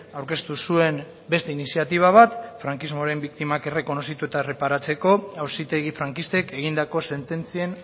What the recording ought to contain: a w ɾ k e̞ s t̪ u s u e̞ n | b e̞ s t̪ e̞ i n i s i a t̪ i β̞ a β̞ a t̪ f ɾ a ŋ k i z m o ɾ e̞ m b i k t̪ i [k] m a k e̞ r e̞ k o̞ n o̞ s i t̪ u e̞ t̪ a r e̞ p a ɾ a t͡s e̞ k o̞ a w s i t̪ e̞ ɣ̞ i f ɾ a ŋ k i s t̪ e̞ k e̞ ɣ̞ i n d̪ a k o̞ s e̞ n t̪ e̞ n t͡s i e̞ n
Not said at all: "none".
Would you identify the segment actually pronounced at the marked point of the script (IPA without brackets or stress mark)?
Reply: none